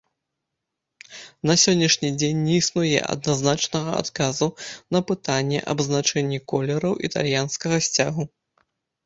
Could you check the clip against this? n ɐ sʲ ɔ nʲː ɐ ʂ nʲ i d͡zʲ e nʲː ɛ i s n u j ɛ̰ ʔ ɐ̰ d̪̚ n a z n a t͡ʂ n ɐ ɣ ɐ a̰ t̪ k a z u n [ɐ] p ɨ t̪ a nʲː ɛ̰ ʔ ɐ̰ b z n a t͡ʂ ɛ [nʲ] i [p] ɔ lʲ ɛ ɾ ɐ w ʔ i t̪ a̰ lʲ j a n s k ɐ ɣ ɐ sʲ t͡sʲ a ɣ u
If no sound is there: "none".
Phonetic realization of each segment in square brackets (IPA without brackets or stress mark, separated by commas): ɐ, nʲː, k